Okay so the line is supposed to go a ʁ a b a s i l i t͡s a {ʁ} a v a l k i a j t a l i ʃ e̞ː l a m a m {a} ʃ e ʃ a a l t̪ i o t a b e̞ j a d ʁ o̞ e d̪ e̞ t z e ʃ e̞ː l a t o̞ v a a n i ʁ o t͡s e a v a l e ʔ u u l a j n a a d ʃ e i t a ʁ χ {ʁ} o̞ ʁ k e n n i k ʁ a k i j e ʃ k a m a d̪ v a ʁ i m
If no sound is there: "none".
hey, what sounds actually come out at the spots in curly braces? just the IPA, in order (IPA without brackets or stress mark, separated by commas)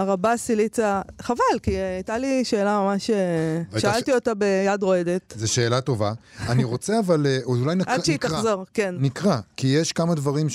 χ, a, z